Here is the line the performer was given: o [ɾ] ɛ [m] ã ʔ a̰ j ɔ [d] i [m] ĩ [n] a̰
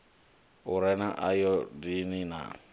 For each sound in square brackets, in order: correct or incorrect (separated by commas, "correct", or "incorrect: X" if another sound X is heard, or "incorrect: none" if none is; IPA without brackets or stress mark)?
correct, incorrect: n, correct, incorrect: n, correct